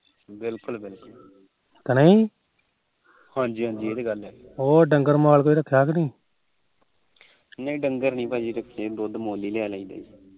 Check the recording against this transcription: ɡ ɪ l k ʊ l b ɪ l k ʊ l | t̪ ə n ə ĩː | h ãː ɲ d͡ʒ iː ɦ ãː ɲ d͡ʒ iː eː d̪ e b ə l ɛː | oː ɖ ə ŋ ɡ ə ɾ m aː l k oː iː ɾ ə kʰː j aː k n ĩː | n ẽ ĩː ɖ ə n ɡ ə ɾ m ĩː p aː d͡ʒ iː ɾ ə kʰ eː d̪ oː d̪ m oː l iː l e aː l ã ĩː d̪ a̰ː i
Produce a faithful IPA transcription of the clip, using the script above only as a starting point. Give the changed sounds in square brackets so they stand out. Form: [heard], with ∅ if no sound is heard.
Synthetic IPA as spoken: [b] ɪ l k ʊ l b ɪ l k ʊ l | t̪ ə n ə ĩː | h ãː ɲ d͡ʒ iː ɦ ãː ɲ d͡ʒ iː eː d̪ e [ɡ] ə l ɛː | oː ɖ ə ŋ ɡ ə ɾ m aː l k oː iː ɾ ə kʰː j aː k n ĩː | n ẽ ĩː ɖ ə [ŋ] ɡ ə ɾ [n] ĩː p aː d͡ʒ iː ɾ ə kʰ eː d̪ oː d̪ m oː l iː l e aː l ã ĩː d̪ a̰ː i